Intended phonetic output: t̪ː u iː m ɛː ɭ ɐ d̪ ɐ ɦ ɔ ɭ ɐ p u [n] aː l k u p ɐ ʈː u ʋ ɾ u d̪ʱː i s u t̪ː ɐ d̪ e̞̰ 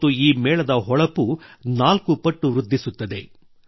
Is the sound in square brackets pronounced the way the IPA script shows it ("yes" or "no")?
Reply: yes